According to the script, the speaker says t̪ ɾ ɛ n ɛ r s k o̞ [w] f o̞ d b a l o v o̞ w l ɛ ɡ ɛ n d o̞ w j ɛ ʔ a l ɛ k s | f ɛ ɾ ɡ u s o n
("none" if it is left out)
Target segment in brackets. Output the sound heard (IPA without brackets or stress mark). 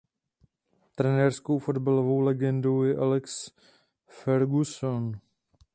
w